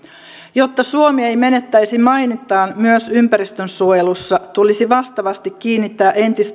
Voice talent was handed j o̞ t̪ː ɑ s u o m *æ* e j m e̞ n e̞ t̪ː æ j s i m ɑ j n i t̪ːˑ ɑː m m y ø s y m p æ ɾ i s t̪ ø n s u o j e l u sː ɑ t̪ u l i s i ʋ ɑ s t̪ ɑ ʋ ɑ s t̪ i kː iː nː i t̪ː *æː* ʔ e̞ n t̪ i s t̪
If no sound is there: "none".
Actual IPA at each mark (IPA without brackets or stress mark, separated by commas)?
i, æː